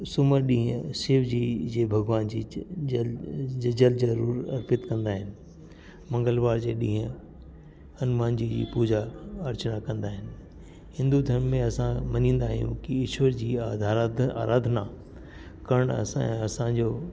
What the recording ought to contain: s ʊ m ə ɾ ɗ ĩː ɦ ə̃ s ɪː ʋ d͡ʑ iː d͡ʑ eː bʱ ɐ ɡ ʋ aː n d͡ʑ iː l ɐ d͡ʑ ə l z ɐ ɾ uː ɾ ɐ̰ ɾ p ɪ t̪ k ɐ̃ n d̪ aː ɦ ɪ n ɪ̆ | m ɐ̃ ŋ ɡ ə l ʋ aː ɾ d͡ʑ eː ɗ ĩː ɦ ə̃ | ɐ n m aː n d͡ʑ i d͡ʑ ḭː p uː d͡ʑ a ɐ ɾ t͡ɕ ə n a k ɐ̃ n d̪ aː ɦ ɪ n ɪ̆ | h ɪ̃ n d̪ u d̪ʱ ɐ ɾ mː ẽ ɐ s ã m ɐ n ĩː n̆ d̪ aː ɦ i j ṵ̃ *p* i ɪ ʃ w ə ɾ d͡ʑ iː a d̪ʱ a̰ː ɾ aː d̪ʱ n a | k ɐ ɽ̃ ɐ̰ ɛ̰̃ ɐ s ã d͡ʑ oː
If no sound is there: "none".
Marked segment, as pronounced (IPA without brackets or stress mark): k